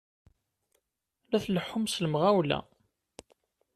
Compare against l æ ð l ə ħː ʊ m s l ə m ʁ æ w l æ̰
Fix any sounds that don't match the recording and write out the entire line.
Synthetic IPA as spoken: l æ θ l ə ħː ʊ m s l ə m ʁ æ w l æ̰